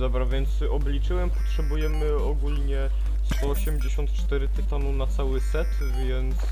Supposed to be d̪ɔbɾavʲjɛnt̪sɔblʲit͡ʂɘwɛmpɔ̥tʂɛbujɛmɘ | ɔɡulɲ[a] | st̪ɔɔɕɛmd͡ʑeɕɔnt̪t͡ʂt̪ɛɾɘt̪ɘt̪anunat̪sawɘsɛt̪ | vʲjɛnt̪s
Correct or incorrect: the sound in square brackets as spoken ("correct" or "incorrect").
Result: incorrect